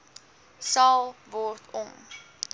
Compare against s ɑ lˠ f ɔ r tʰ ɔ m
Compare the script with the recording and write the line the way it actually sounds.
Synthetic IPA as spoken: s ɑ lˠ v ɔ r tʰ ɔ m